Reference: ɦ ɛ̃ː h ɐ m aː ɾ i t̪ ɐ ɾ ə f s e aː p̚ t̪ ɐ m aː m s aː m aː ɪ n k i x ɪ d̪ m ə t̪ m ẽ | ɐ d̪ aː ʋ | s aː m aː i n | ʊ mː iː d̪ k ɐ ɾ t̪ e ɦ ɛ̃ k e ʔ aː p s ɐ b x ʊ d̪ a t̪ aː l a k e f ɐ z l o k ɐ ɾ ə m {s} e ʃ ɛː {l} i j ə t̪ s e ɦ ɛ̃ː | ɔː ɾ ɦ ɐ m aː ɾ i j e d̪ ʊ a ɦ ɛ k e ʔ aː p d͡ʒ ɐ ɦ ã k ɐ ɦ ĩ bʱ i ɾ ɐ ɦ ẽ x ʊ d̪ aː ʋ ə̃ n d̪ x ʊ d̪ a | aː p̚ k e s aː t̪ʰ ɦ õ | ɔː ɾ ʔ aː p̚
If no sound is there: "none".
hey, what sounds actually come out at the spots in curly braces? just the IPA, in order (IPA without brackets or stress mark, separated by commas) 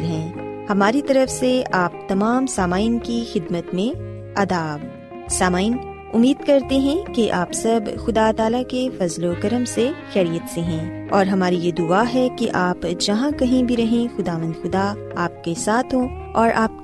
s, ɾ